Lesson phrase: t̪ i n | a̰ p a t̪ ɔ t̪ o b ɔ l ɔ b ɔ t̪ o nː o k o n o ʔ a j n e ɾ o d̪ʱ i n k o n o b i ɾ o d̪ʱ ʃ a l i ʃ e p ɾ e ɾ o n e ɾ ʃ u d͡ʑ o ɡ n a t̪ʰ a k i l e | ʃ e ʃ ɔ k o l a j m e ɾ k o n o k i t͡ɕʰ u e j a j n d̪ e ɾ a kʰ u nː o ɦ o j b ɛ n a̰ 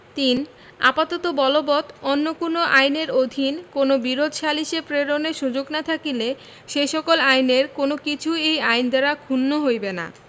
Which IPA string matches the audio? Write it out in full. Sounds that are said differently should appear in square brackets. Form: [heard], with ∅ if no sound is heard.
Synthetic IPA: t̪ i n | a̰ p a t̪ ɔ t̪ o b ɔ l [o] b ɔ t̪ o nː o k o n o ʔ a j n e ɾ o d̪ʱ i n k o n o b i ɾ o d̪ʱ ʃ a l i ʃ e p ɾ e ɾ o n e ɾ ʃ u d͡ʑ o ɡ n a t̪ʰ a k i l e | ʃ e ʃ ɔ k o l a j [n] e ɾ k o n o k i t͡ɕʰ u e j a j n d̪ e ɾ a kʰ u nː o ɦ o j b [e] n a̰